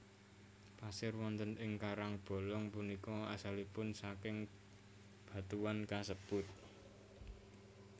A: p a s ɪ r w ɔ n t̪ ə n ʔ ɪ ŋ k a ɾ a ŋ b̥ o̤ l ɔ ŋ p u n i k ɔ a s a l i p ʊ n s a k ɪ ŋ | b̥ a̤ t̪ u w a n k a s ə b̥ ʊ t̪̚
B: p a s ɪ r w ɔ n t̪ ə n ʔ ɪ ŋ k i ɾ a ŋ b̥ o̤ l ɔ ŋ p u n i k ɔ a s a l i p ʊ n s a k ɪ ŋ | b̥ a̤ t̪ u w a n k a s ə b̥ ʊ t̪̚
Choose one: A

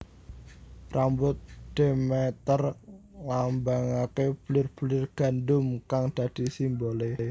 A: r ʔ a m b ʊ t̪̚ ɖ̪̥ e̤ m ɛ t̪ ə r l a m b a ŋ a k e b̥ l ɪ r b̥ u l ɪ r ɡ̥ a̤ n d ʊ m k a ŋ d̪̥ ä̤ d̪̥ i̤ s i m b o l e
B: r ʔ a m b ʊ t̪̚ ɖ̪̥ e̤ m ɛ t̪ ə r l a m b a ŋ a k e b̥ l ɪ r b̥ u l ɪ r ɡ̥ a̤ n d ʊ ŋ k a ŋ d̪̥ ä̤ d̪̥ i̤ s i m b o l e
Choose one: A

